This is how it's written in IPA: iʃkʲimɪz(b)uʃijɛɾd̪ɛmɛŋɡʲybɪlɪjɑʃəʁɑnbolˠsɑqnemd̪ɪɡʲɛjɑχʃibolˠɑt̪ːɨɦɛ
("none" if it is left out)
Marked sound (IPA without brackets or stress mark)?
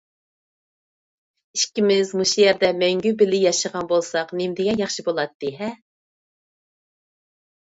m